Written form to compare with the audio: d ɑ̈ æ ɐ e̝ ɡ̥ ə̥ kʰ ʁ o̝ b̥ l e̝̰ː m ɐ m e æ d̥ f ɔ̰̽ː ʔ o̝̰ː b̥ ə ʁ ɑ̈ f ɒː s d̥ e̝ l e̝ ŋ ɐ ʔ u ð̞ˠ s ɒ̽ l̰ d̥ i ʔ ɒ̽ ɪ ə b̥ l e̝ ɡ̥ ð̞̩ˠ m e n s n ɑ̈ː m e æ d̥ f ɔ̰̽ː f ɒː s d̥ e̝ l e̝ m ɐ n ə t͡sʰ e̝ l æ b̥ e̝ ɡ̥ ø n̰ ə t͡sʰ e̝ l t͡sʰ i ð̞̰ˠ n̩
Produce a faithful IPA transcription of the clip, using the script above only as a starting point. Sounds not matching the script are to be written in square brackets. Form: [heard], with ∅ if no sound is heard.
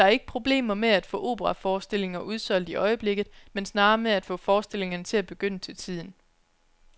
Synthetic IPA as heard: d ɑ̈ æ ɐ e̝ ɡ̥ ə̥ [pʰ] ʁ o̝ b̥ l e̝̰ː m ɐ m e æ d̥ f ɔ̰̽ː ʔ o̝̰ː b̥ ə ʁ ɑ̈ f ɒː s d̥ e̝ l e̝ ŋ ɐ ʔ u ð̞ˠ s ɒ̽ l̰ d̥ i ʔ ɒ̽ ɪ ə b̥ l e̝ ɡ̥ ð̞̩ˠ m e n s n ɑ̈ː m e æ d̥ f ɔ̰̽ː f ɒː s d̥ e̝ l e̝ [ŋ] ɐ n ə t͡sʰ e̝ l æ b̥ e̝ ɡ̥ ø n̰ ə t͡sʰ e̝ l t͡sʰ i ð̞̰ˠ n̩